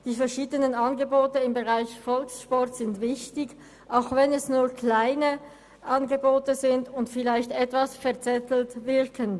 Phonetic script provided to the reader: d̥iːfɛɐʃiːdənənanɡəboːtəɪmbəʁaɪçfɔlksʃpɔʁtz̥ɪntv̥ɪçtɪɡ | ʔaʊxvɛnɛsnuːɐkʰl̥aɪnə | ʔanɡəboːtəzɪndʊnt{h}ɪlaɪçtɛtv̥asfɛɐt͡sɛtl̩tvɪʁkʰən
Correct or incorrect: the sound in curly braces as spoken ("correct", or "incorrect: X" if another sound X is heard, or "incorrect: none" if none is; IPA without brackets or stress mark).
incorrect: f